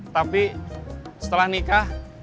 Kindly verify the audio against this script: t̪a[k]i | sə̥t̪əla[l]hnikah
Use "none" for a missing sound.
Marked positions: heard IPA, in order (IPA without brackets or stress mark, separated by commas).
p, none